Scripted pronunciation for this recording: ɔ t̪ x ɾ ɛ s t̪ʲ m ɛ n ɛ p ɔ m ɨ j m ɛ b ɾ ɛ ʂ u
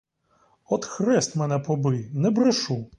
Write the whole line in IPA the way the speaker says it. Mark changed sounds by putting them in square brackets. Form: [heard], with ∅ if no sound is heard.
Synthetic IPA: ɔ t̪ x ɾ ɛ s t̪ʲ m ɛ n ɛ p ɔ [b] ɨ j [n] ɛ b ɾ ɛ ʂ u